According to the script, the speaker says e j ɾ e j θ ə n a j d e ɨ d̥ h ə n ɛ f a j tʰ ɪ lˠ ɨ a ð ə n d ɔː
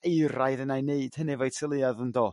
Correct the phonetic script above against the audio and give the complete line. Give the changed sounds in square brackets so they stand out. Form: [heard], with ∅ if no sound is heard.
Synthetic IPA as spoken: e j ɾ [a] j [ð] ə n a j [n] e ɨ d̥ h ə n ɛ [v] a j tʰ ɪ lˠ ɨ a ð ə n d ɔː

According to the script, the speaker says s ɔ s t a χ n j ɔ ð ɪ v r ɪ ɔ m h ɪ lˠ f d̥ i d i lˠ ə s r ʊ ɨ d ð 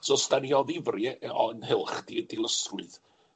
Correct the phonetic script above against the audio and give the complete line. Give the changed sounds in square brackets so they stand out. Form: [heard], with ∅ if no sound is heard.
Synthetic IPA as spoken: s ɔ s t a [∅] n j ɔ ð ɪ v r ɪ ɔ [n] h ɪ lˠ [χ] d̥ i d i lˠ ə s r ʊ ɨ [∅] ð

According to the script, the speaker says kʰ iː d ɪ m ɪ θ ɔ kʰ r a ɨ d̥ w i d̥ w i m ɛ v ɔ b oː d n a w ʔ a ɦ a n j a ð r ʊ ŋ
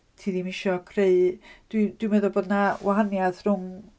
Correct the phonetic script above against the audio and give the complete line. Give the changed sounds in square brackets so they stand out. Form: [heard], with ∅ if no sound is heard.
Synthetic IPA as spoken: [tʰ] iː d [i] m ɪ [ʃ] ɔ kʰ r [e] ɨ d̥ w i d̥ w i m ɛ [ð] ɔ b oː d n a w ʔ a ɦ a n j a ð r ʊ ŋ

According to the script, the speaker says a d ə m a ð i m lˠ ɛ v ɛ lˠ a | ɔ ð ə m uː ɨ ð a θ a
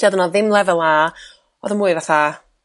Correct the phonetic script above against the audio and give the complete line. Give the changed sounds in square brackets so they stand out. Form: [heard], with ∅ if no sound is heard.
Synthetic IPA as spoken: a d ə [n] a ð [ɪ] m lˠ ɛ v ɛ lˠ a | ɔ ð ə m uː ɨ [v] a θ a

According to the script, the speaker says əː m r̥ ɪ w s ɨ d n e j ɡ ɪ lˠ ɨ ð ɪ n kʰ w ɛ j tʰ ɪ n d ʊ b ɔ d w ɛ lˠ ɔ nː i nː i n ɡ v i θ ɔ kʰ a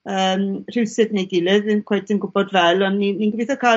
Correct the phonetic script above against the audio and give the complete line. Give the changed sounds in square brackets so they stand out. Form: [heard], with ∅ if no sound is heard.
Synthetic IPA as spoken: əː m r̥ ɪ w s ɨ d n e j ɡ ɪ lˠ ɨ ð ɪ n kʰ w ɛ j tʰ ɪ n [ɡ] ʊ b ɔ d [v] ɛ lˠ ɔ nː i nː i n ɡ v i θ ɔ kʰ a

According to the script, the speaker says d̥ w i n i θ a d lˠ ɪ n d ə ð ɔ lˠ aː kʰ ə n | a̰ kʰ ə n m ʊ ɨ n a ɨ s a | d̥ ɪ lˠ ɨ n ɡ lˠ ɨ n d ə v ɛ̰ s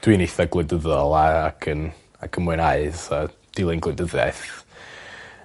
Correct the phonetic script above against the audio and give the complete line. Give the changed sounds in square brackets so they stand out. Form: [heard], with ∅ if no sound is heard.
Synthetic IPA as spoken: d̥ w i n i θ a [ɡ] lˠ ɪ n d ə ð ɔ lˠ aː kʰ ə n | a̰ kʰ ə n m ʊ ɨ n a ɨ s a | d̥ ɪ lˠ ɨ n ɡ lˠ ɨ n d ə [ð] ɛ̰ [θ]

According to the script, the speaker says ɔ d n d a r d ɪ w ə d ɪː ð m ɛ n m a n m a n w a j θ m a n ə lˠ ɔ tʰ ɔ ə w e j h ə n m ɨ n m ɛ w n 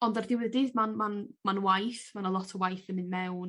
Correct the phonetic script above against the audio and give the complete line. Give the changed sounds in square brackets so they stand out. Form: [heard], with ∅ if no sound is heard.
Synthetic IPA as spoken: ɔ [∅] n d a r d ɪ w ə d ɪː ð m [a] n m a n m a n w a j θ m a n ə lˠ ɔ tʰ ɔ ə w [a] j [θ] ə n m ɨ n m ɛ w n

